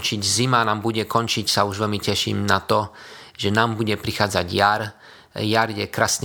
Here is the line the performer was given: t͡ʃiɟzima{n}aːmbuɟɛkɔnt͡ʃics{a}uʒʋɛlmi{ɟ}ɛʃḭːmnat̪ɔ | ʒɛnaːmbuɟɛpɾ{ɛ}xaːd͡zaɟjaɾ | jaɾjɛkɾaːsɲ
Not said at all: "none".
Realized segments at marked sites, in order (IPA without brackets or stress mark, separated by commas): n, a, c, i